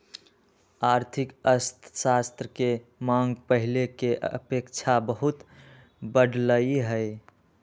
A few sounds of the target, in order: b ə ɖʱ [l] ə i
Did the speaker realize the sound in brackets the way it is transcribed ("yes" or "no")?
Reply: yes